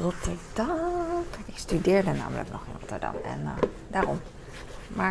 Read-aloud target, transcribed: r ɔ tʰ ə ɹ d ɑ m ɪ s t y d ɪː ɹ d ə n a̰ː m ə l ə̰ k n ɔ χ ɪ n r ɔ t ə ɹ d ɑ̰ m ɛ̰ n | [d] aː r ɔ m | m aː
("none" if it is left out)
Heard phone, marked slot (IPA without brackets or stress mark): d